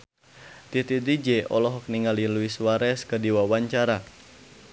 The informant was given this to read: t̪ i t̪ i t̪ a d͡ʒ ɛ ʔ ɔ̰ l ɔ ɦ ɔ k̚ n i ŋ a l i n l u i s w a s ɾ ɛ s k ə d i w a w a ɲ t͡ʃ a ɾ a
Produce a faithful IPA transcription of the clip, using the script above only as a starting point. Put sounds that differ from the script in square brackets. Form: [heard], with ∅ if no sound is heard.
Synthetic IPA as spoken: t̪ i t̪ i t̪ [i] d͡ʒ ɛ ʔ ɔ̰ l ɔ ɦ ɔ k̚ n i ŋ a l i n l u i s w a [∅] ɾ ɛ s k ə d i w a w a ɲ t͡ʃ a ɾ a